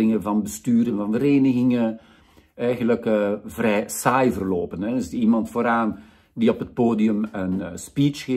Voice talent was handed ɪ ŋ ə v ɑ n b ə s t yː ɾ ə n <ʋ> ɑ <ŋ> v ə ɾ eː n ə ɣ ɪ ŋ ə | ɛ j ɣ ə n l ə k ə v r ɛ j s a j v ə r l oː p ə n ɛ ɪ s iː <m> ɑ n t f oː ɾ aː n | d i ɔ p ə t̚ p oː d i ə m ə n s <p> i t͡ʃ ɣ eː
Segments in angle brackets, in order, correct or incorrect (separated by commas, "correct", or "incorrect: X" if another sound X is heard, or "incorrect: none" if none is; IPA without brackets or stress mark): incorrect: v, incorrect: n, correct, correct